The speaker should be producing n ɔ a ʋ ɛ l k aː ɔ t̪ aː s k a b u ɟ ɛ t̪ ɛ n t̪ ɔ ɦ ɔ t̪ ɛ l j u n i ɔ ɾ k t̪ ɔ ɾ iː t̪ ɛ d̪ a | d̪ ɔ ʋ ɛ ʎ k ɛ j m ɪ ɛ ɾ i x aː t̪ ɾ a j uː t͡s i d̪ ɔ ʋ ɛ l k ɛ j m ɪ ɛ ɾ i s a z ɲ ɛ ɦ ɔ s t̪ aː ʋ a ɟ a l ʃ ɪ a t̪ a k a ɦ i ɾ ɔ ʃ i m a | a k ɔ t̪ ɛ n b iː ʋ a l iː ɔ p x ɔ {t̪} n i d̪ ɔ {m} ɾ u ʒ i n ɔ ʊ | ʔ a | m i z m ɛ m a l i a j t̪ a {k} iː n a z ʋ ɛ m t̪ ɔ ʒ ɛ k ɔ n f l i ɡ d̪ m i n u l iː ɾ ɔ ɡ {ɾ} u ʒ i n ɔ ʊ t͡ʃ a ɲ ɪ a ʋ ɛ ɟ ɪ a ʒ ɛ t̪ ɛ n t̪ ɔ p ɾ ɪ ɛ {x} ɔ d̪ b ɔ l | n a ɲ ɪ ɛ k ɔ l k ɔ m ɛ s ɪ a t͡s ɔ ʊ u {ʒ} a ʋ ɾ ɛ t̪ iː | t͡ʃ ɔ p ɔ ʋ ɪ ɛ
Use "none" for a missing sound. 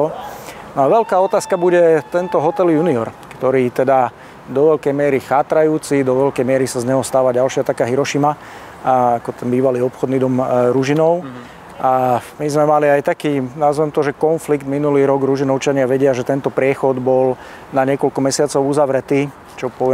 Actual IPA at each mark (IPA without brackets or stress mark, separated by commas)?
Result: d̪, m, k, ɾ, x, z